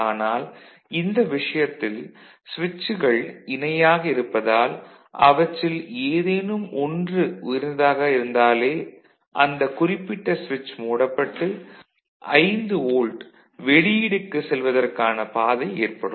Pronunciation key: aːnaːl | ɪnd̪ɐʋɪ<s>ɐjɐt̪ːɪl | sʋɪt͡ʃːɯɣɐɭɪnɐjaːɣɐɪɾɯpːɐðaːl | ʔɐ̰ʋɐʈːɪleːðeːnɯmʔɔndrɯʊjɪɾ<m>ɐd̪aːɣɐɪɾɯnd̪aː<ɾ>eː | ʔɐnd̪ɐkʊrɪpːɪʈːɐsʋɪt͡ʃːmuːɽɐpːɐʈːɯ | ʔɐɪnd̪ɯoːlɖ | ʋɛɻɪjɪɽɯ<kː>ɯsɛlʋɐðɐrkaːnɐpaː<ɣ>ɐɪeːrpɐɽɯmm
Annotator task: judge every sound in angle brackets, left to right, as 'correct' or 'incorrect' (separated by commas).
incorrect, incorrect, incorrect, correct, incorrect